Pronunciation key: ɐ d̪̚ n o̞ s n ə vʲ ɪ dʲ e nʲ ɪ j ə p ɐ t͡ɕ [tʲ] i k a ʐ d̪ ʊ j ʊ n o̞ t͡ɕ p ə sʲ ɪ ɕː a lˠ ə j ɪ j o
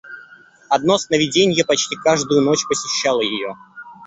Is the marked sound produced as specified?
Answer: yes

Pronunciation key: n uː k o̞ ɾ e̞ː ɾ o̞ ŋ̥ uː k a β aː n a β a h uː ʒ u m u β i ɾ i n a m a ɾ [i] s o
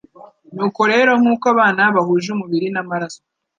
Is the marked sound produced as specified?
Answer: no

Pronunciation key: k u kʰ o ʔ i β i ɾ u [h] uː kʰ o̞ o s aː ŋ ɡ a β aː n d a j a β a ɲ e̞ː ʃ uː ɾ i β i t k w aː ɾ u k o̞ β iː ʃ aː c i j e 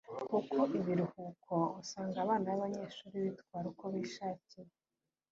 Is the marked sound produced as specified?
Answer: yes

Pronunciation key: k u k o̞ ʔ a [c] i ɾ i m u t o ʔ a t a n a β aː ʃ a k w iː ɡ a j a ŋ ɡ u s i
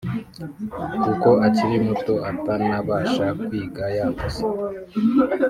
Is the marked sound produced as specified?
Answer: yes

